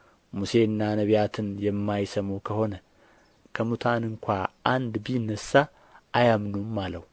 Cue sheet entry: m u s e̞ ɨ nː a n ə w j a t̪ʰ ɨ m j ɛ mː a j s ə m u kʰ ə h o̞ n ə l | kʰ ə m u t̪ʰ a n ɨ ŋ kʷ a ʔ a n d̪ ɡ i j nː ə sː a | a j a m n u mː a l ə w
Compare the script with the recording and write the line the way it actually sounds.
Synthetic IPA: m u s e̞ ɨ nː a n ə β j a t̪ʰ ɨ n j ɛ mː a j s ə m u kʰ ə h o̞ n ə | kʰ ə m u t̪ʰ a n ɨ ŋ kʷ a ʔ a n d̪ b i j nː ə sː a | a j a m n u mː a l ə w